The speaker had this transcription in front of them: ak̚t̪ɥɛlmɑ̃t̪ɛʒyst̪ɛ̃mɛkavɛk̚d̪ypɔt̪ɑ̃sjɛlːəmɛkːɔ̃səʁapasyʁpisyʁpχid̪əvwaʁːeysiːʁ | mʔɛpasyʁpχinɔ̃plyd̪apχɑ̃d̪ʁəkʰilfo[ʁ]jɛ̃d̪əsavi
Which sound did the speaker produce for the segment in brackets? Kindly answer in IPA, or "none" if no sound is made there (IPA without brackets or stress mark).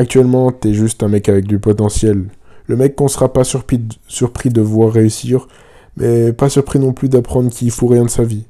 ʁ